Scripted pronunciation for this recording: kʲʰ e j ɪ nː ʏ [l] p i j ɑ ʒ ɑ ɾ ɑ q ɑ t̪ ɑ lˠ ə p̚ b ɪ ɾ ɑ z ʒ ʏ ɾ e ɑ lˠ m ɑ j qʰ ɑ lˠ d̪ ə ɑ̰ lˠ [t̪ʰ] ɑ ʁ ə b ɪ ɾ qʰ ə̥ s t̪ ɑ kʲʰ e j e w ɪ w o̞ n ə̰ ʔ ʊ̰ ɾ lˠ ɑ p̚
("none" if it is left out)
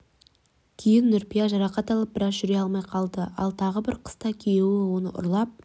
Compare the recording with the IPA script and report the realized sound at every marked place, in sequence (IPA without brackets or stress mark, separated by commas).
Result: ɾ, t̪ʰ